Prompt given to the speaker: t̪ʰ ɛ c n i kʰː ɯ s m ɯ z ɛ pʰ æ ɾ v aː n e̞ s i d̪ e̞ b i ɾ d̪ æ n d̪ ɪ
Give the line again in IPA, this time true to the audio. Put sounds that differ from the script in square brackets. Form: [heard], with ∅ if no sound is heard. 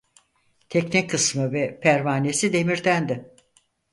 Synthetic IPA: t̪ʰ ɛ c n i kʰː ɯ s m ɯ [v] ɛ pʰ æ ɾ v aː n e̞ s i d̪ e̞ [m] i ɾ d̪ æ n d̪ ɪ